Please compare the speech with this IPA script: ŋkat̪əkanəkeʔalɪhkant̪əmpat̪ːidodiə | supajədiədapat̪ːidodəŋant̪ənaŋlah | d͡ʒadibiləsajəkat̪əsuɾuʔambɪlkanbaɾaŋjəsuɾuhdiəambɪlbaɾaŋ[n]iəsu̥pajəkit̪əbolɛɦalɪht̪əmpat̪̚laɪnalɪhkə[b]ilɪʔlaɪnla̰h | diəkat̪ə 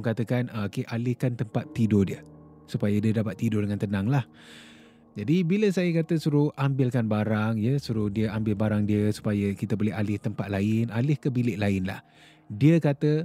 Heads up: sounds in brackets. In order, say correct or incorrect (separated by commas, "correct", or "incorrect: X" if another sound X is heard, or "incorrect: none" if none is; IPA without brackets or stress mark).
incorrect: d, correct